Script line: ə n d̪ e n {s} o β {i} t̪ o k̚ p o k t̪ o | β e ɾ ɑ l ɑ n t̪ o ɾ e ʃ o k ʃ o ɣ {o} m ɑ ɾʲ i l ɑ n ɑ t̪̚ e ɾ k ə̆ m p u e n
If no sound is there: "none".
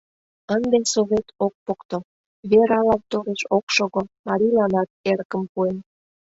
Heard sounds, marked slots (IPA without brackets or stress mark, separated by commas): s, e, o